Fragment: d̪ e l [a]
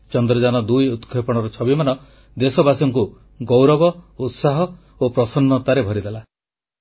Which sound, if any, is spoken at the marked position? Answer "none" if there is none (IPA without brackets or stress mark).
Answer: a